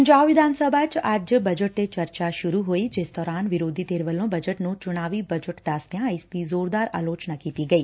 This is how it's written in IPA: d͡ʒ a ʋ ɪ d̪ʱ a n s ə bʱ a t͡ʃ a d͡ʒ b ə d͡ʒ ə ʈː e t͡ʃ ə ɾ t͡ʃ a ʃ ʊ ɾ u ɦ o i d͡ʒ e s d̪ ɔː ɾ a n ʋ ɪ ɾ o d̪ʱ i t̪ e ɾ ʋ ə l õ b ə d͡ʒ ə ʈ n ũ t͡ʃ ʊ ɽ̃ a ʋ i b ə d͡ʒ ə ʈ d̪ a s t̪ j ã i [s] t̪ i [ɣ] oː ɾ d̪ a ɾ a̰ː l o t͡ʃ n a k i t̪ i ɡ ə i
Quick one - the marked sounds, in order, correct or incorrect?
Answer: correct, incorrect

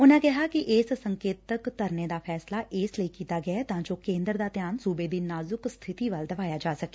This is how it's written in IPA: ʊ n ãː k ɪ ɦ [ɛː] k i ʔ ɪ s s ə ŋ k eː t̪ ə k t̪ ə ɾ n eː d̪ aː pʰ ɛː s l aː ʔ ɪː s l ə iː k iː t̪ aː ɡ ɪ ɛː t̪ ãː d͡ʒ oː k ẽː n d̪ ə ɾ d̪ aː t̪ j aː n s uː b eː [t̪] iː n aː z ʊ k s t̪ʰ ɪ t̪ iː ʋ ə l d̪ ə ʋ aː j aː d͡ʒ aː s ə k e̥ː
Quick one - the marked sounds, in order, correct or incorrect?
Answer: incorrect, incorrect

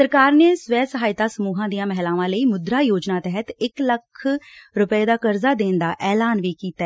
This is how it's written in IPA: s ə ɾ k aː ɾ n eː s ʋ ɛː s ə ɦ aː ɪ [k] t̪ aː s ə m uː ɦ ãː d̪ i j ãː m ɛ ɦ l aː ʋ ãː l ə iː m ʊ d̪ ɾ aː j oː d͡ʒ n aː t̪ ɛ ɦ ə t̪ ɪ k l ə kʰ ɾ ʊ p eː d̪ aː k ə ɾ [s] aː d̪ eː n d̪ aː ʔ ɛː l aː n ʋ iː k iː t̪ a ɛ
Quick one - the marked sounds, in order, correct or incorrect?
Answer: incorrect, incorrect

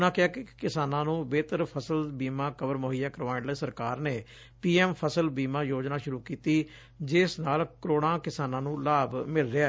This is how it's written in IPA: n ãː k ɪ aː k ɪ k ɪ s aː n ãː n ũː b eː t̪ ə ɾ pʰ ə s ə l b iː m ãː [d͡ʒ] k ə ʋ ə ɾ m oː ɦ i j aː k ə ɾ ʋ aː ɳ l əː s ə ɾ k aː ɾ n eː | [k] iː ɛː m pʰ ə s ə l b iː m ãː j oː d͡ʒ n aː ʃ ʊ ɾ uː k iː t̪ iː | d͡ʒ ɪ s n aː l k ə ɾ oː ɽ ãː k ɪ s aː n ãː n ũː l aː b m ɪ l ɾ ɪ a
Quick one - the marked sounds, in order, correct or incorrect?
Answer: incorrect, incorrect

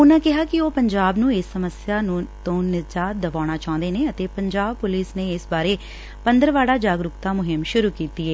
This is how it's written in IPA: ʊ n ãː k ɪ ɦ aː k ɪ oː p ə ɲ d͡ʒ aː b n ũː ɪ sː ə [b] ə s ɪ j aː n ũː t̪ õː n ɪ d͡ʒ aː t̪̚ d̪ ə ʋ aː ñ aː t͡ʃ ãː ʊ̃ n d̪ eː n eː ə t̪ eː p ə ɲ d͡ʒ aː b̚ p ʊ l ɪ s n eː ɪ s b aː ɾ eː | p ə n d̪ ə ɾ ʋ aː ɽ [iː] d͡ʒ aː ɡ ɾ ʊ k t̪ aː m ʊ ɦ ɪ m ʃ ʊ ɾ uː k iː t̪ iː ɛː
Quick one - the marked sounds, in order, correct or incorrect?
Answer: incorrect, incorrect

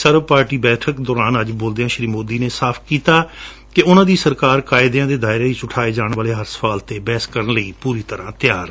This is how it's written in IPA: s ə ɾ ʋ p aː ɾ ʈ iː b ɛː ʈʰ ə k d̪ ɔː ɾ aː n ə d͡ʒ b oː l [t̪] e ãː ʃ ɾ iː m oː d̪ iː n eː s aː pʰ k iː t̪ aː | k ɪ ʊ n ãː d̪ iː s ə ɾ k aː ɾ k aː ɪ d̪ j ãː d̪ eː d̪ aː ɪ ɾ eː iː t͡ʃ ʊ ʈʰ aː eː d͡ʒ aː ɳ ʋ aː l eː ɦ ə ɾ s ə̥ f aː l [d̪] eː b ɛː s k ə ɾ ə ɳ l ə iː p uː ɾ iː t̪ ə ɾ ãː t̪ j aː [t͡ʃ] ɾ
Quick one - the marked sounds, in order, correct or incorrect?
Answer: incorrect, incorrect, incorrect

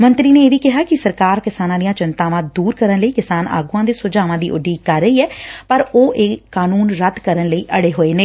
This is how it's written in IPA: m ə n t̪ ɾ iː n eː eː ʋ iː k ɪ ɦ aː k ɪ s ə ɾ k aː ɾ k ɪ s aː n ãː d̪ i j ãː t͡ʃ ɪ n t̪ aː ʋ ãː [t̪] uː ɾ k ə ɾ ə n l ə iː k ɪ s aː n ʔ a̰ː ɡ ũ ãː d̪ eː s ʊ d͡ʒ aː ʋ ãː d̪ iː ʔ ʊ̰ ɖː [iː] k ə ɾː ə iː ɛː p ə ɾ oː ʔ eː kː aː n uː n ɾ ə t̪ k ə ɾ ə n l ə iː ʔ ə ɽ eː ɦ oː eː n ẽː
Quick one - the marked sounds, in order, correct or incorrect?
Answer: incorrect, correct

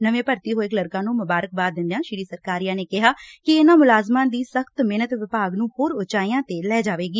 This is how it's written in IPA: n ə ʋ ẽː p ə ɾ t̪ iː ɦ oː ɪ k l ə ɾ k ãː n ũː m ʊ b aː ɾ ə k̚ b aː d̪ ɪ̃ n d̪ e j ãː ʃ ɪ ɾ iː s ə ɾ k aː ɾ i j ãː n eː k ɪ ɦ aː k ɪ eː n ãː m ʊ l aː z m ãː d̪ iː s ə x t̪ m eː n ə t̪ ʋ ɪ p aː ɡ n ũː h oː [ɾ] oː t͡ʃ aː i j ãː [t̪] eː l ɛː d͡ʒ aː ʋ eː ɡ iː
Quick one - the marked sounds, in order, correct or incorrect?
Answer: correct, correct

